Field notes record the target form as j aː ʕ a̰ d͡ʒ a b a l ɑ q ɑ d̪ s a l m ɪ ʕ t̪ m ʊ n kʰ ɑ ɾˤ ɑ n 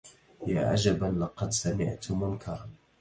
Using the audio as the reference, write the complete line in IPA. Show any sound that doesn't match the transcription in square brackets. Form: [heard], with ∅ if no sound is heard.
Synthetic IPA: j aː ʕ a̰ d͡ʒ a b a l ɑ q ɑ d̪ s a [∅] m ɪ ʕ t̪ m ʊ n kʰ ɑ ɾˤ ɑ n